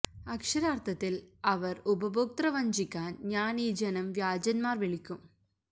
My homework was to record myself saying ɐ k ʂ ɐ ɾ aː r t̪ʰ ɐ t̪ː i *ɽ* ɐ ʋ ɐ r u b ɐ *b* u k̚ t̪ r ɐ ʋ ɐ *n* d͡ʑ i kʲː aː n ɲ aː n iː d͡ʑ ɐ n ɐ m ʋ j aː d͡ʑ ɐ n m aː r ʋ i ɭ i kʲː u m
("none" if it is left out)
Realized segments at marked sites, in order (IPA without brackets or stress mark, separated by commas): l, b, ɲ